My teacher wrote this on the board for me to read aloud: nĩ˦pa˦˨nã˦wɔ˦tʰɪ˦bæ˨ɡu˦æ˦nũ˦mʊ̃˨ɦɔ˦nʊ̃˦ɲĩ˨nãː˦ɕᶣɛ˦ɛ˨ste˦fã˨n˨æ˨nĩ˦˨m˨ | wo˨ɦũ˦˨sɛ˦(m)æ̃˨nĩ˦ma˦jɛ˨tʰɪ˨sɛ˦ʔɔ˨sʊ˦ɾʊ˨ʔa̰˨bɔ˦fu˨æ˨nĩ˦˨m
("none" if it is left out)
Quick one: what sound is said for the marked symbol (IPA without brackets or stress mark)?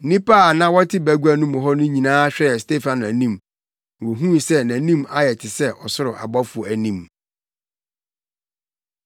n